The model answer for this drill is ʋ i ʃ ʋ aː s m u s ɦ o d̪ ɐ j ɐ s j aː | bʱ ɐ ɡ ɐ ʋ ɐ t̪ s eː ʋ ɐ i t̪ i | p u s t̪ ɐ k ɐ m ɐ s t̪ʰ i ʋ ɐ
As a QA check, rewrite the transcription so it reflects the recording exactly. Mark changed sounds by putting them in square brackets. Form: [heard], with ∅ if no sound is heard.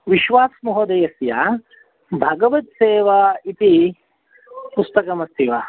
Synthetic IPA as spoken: ʋ i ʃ ʋ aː s m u [∅] ɦ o d̪ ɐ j ɐ s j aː | bʱ ɐ ɡ ɐ ʋ ɐ t̪ s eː ʋ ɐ i t̪ i | p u s t̪ ɐ k ɐ m ɐ s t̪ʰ i ʋ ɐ